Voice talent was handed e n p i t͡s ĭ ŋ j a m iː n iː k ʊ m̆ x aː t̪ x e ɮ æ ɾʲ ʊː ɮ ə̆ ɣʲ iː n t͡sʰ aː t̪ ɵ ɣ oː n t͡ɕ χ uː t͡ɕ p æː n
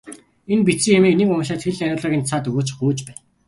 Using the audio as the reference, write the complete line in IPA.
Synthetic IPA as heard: e n p i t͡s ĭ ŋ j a m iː n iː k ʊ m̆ ʃ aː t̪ x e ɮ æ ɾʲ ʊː ɮ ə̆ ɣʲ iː n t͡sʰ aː t̪ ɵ ɣ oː t͡ɕ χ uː t͡ɕ p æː n